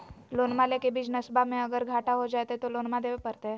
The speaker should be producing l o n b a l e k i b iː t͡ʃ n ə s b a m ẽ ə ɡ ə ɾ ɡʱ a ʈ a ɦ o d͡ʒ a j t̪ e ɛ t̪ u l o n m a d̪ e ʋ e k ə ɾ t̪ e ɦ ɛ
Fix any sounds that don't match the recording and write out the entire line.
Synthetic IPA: l o n m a l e k e b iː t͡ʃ n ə s b a m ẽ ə ɡ ə ɾ ɡʱ a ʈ a ɦ o d͡ʒ a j t̪ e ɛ t̪ o l o n m a d̪ e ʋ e p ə ɾ t̪ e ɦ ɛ

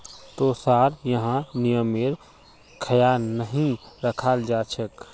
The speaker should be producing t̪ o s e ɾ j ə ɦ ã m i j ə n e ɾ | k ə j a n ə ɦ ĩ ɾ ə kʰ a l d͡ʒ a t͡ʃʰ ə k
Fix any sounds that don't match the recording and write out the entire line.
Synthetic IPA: t̪ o s a ɾ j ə ɦ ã n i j ə m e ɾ | kʰ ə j a n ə ɦ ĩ ɾ ə kʰ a l d͡ʒ a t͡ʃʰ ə k

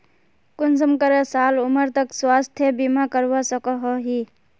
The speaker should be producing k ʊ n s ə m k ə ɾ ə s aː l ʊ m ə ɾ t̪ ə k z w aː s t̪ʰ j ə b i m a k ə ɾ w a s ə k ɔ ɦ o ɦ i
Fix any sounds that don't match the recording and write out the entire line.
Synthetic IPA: k ʊ n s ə m k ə ɾ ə s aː l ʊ m ə ɾ t̪ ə k s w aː s t̪ʰ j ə b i m a k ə ɾ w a s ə k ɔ ɦ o ɦ i

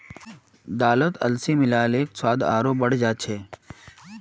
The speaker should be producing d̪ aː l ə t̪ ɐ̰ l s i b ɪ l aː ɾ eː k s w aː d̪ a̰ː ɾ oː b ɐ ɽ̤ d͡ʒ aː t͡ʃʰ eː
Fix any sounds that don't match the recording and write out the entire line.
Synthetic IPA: d̪ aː l ə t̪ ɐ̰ l s i m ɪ l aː l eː k s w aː d̪ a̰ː ɾ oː b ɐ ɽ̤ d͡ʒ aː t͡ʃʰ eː

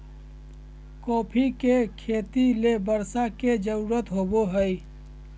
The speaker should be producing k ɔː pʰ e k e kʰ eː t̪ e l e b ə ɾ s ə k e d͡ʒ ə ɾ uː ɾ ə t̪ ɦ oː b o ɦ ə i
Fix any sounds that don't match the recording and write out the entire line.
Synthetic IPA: k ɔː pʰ i k e kʰ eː t̪ i l e b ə ɾ s a k e d͡ʒ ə ɾ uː ɾ ə t̪ ɦ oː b o ɦ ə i

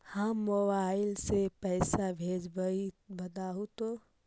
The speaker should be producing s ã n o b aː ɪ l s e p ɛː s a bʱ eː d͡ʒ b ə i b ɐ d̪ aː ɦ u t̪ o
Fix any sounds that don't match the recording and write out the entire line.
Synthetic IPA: h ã m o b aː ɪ l s e p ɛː s a bʱ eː d͡ʒ b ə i b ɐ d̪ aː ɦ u t̪ o

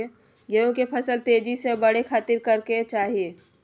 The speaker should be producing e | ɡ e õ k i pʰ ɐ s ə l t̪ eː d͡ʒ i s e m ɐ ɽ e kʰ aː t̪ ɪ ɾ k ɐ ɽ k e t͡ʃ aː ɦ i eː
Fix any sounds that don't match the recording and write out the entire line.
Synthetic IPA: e | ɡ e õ k e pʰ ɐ s ə l t̪ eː d͡ʒ i s e b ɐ ɽ e kʰ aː t̪ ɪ ɾ k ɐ ɾ k e t͡ʃ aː ɦ i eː

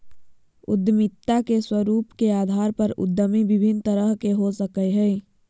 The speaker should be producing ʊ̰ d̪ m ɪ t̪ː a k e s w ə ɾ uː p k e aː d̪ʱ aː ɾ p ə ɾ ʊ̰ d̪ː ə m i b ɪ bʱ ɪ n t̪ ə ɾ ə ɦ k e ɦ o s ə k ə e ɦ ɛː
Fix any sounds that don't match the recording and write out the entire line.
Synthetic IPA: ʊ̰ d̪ m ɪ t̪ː a k e s w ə ɾ uː p k e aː d̪ʱ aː ɾ p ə ɾ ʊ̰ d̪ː ə m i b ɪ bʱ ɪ n t̪ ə ɾ ə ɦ k e ɦ o s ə k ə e ɦ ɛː

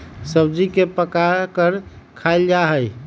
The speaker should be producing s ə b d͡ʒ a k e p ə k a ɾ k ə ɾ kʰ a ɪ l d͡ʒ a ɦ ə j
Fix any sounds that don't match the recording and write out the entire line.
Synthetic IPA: s ə b d͡ʒ i k e p ə k a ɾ k ə ɾ kʰ a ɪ l d͡ʒ a ɦ ə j

